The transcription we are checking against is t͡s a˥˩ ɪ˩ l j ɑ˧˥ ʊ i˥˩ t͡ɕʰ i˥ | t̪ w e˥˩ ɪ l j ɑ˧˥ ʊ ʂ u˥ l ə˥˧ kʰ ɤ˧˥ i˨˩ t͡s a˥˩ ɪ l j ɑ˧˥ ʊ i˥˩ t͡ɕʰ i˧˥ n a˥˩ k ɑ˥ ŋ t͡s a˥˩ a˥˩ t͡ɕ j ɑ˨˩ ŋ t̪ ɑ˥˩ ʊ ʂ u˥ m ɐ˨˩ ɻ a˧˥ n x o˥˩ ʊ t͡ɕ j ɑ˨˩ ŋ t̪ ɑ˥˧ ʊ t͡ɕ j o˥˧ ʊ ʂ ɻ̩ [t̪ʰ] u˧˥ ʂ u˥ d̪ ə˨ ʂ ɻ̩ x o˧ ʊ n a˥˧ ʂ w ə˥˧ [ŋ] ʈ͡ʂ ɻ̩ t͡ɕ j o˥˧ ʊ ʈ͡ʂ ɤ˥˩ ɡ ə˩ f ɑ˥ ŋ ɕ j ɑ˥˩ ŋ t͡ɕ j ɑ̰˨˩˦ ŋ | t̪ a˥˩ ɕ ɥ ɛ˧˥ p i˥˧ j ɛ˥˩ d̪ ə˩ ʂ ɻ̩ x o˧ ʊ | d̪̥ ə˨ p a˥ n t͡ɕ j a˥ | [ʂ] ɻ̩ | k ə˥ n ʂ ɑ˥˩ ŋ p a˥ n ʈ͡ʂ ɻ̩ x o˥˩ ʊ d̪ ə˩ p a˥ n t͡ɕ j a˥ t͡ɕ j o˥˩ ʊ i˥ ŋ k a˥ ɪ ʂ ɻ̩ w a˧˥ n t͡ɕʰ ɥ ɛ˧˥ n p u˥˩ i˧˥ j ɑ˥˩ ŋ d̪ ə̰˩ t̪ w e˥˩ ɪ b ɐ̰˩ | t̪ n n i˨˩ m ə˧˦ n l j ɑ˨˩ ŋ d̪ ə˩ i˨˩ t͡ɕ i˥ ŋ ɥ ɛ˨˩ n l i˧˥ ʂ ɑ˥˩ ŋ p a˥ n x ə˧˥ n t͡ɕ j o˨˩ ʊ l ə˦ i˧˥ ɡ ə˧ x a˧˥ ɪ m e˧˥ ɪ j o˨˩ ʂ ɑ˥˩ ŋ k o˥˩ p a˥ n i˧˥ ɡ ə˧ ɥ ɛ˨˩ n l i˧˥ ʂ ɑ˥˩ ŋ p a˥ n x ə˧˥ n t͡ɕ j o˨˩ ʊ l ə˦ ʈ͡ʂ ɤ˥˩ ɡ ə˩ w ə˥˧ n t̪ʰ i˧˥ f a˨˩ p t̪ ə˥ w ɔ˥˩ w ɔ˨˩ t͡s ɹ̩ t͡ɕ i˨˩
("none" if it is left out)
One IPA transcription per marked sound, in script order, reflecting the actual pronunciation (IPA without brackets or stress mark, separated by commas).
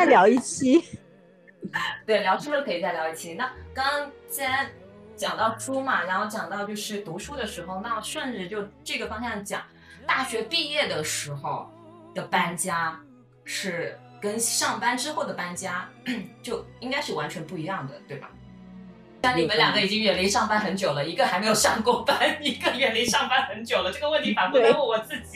t̪, n, ʂ